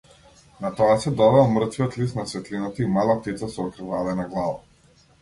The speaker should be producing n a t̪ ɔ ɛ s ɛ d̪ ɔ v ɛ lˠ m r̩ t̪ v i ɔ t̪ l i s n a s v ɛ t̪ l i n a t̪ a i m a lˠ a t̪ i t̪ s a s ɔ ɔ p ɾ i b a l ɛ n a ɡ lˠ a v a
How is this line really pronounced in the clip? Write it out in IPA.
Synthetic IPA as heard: n a t̪ ɔ a s ɛ d̪ ɔ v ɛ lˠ m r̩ t̪ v i ɔ t̪ l i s n a s v ɛ t̪ l i n a t̪ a i m a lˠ a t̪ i t̪ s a s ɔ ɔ k ɾ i v a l ɛ n a ɡ lˠ a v a

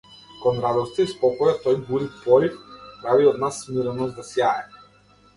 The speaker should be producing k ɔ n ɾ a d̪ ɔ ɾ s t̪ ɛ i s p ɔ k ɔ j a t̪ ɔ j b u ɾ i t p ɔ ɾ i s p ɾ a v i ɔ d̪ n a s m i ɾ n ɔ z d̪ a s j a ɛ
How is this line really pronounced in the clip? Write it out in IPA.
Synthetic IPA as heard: k ɔ n ɾ a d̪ ɔ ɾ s t̪ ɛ i s p ɔ k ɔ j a t̪ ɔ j b u ɾ i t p ɔ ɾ i f p ɾ a v i ɔ d̪ n a s m i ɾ n ɔ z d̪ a s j a ɛ

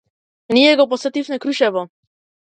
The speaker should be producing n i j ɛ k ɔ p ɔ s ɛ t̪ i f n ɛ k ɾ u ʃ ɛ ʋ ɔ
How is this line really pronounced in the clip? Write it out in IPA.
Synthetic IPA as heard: n i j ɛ ɡ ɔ p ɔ s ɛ t̪ i f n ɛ k ɾ u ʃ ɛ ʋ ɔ

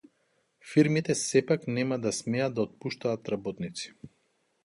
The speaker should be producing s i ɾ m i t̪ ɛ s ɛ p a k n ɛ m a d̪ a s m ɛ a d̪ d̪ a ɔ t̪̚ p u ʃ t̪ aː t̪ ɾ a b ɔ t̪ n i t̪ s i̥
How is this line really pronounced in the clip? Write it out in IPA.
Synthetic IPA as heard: f i ɾ m i t̪ ɛ s ɛ p a k n ɛ m a d̪ a s m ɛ a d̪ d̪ a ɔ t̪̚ p u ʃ t̪ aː t̪ ɾ a b ɔ t̪ n i t̪ s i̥

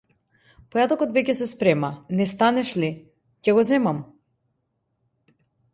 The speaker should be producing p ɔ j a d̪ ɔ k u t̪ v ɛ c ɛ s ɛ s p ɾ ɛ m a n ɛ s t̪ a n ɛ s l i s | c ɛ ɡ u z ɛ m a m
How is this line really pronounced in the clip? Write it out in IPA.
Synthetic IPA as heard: p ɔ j a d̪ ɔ k ɔ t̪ v ɛ c ɛ s ɛ s p ɾ ɛ m a n ɛ s t̪ a n ɛ ʃ l i | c ɛ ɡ ɔ z ɛ m a m

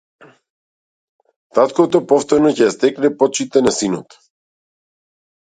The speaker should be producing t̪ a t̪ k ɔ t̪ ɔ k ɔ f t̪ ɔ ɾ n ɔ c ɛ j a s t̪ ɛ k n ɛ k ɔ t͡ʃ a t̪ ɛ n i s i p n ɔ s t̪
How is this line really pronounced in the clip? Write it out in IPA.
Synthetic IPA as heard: t̪ a t̪ k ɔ t̪ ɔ p ɔ f t̪ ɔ ɾ n ɔ c ɛ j a s t̪ ɛ k n ɛ p ɔ t͡ʃ i t̪ ɛ n a s i n ɔ t̪

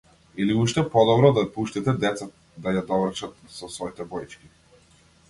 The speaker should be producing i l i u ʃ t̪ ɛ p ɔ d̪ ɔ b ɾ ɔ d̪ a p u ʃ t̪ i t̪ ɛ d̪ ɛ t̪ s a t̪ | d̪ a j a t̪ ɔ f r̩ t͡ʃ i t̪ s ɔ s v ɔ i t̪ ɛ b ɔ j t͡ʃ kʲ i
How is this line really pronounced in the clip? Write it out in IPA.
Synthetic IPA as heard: i l i u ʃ t̪ ɛ p ɔ d̪ ɔ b ɾ ɔ d̪ a p u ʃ t̪ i t̪ ɛ d̪ ɛ t̪ s a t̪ | d̪ a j a d̪ ɔ v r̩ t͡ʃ a t̪ s ɔ s v ɔ i t̪ ɛ b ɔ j t͡ʃ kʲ i

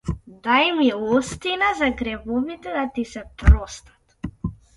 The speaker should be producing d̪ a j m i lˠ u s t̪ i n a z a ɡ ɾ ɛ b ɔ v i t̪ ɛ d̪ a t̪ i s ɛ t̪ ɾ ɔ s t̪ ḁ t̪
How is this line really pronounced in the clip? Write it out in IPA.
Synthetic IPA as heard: d̪ a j m i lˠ ɔ s t̪ i n a z a ɡ ɾ ɛ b ɔ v i t̪ ɛ d̪ a t̪ i s ɛ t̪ ɾ ɔ s t̪ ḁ t̪

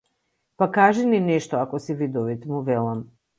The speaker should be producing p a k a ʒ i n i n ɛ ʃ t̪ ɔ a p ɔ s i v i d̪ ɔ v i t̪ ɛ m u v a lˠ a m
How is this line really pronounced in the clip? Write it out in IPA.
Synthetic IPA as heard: p a k a ʒ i n i n ɛ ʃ t̪ ɔ a k ɔ s i v i d̪ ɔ v i t̪ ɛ m u v ɛ lˠ a m

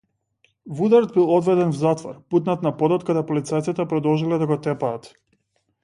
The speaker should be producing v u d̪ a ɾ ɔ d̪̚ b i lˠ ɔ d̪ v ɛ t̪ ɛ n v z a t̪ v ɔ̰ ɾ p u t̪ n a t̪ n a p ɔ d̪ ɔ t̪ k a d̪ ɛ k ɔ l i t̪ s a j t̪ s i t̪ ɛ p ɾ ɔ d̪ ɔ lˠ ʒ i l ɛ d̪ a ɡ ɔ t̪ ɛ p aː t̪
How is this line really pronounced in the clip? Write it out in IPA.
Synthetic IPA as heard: v u d̪ a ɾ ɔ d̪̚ b i lˠ ɔ d̪ v ɛ d̪ ɛ n v z a t̪ v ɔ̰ ɾ p u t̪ n a t̪ n a p ɔ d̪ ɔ t̪ k a d̪ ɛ p ɔ l i t̪ s a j t̪ s i t̪ ɛ p ɾ ɔ d̪ ɔ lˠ ʒ i l ɛ d̪ a ɡ ɔ t̪ ɛ p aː t̪

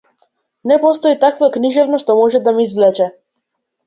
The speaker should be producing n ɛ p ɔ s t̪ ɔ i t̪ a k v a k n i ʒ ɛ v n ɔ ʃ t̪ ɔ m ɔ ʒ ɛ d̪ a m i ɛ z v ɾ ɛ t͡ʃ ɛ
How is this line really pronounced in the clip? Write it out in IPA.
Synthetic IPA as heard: n ɛ p ɔ s t̪ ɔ i t̪ a k v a k n i ʒ ɛ v n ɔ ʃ t̪ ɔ m ɔ ʒ ɛ d̪ a m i i z v l ɛ t͡ʃ ɛ

